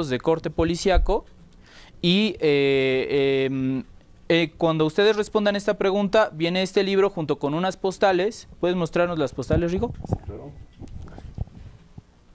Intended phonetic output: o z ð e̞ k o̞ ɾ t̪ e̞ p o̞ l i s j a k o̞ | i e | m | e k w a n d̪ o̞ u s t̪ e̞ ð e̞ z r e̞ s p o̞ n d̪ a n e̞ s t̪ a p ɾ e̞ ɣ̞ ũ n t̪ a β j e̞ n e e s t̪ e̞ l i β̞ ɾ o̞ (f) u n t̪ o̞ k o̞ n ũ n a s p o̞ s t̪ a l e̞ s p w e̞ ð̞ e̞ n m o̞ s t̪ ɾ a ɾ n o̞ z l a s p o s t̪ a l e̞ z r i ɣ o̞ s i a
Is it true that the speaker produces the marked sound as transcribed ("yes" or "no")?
no